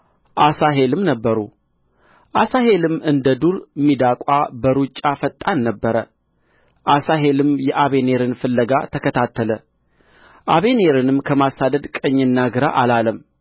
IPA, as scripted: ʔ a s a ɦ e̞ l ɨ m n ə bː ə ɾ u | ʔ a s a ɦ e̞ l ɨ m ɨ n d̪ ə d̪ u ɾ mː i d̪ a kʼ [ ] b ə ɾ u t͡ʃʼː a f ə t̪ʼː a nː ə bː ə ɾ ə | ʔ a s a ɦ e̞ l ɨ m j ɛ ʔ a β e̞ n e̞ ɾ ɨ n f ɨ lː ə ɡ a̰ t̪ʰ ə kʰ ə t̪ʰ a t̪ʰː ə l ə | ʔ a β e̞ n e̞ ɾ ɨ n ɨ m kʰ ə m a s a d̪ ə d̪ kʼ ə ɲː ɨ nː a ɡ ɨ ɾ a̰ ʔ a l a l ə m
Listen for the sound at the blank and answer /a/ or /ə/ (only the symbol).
a